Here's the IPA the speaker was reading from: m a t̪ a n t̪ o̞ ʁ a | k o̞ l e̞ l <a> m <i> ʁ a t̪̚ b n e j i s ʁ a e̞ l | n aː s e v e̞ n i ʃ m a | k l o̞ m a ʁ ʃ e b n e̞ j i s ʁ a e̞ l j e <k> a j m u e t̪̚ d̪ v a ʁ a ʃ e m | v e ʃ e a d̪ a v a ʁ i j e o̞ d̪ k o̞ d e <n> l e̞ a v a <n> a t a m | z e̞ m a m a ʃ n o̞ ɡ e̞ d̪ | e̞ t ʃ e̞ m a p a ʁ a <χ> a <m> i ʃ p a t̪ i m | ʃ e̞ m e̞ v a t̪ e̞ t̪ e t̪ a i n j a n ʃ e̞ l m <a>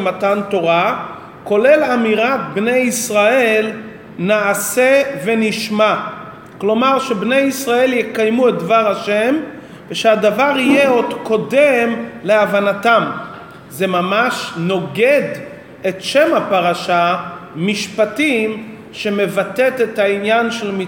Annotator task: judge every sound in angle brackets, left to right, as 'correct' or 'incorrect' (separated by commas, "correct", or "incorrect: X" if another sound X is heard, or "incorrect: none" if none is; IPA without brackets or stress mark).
correct, correct, correct, incorrect: m, correct, incorrect: ʃ, correct, incorrect: i